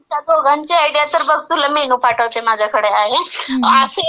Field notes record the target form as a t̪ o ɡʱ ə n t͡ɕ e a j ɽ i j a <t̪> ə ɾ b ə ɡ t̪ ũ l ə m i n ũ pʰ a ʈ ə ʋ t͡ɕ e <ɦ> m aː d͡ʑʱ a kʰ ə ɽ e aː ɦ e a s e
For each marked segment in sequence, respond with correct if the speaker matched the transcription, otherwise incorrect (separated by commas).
correct, incorrect